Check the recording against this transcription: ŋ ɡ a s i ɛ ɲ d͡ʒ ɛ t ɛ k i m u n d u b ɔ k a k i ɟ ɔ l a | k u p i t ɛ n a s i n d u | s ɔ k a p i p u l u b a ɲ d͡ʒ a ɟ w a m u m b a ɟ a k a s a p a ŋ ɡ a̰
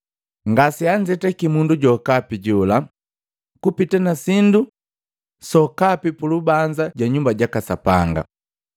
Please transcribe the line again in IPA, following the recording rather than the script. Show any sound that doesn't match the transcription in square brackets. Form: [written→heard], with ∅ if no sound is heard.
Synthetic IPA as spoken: ŋ ɡ a s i [ɛ→a] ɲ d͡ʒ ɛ t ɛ k i m u n d u [b→ɟ] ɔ k a [k→p] i ɟ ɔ l a | k u p i t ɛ n a s i n d u | s ɔ k a p i p u l u b a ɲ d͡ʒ a ɟ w a [m→ɲ] u m b a ɟ a k a s a p a ŋ ɡ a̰